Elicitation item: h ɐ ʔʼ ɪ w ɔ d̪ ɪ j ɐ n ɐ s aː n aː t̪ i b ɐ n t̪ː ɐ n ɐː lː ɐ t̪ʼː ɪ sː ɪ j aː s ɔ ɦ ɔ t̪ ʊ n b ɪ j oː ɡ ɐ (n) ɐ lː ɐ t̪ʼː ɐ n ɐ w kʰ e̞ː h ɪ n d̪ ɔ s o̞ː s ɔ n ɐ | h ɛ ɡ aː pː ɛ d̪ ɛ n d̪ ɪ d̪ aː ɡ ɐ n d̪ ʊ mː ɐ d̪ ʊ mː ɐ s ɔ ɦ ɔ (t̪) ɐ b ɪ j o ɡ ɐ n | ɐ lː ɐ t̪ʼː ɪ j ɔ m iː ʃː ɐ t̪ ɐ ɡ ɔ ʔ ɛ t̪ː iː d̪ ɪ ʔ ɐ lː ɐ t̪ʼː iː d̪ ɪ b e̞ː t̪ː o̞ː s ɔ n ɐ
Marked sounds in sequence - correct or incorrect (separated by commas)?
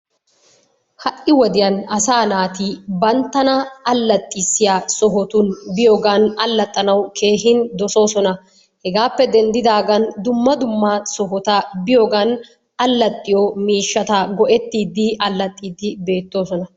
correct, correct